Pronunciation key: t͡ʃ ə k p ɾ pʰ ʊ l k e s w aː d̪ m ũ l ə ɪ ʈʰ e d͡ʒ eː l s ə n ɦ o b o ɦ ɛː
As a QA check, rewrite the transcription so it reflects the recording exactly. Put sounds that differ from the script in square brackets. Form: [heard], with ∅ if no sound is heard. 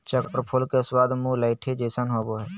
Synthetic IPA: t͡ʃ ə k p ɾ pʰ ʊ l k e s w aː d̪ m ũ l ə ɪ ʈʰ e d͡ʒ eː [∅] s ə n ɦ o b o ɦ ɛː